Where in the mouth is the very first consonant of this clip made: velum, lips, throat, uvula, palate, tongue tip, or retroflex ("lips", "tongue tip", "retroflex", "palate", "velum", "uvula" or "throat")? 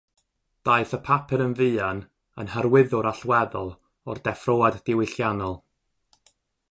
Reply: tongue tip